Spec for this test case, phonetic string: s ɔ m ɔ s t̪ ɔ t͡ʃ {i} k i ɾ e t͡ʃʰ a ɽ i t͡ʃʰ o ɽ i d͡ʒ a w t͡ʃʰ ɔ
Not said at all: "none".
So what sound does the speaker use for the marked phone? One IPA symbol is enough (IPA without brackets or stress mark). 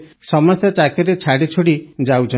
a